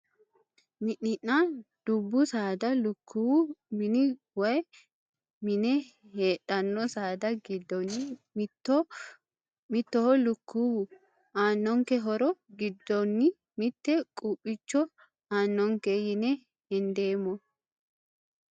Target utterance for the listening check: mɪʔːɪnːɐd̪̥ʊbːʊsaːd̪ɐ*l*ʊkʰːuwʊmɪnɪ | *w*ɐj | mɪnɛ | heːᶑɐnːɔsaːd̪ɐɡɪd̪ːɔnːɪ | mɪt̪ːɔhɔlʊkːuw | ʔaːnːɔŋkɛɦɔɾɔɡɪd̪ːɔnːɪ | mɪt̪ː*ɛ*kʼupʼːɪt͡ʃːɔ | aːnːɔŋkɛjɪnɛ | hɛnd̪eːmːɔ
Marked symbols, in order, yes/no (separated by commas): yes, yes, yes